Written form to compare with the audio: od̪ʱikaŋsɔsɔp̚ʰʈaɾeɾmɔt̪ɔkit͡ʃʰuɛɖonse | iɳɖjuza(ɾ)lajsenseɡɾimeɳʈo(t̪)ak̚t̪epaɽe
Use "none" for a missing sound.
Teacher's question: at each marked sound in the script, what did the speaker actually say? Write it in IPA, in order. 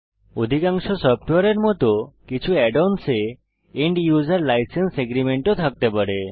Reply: ɾ, t̪ʰ

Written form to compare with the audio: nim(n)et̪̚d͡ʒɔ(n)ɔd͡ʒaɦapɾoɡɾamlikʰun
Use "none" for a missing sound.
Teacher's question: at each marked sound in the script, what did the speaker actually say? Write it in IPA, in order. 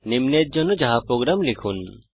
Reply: n, n

